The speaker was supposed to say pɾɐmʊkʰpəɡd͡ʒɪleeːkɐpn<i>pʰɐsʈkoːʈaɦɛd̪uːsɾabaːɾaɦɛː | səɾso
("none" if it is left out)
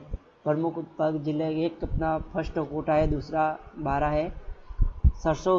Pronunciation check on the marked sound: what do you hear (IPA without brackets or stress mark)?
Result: a